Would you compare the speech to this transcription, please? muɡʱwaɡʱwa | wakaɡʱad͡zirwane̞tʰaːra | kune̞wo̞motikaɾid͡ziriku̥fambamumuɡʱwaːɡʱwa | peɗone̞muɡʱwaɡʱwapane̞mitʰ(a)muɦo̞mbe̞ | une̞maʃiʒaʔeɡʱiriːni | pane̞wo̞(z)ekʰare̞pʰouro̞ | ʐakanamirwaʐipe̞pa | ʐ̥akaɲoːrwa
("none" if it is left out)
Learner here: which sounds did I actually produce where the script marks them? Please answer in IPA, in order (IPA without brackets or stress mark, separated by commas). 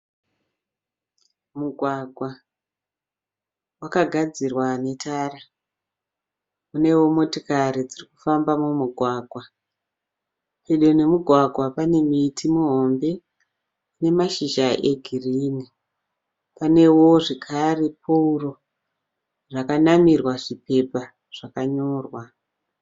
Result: i, ʐ